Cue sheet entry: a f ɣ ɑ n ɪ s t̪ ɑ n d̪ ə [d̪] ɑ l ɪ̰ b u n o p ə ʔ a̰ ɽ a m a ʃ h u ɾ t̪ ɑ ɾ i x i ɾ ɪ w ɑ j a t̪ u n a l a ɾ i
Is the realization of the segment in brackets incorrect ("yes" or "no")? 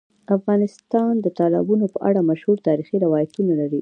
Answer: yes